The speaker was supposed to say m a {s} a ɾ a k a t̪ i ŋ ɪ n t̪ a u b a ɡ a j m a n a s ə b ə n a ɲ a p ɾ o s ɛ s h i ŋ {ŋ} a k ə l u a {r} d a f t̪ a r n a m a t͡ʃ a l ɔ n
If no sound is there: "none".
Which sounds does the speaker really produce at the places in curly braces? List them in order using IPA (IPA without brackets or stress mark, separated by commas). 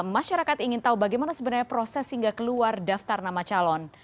ʃ, ɡ, r